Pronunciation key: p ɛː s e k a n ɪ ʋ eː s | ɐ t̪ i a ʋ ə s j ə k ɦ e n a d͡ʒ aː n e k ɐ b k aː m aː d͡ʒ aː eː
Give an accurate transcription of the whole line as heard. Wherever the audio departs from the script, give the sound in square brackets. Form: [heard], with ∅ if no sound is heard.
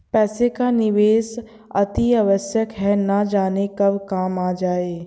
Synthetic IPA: p ɛː s e k a n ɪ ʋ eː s | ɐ t̪ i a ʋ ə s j ə k ɦ [ɛ] n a d͡ʒ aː n e k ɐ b k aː m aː d͡ʒ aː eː